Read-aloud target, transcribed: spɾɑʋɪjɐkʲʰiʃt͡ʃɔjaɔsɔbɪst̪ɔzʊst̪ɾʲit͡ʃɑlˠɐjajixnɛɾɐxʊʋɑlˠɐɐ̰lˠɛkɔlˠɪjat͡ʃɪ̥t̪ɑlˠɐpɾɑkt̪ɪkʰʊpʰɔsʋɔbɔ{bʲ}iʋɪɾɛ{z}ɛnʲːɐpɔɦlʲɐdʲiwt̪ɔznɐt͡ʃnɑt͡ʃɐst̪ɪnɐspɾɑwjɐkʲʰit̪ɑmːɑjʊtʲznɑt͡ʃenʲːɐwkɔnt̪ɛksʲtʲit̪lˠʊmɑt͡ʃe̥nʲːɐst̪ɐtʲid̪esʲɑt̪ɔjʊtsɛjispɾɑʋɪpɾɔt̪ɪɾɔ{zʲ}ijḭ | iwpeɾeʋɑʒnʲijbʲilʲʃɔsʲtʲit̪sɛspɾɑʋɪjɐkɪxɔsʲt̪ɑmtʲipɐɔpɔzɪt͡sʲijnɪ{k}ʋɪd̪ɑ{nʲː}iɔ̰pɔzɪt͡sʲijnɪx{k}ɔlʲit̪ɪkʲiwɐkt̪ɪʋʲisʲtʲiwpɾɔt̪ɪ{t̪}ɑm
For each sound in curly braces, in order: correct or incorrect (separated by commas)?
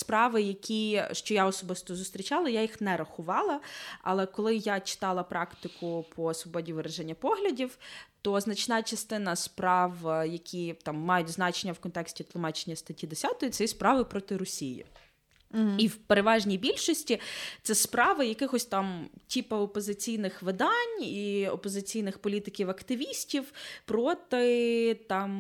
incorrect, incorrect, incorrect, incorrect, incorrect, incorrect, correct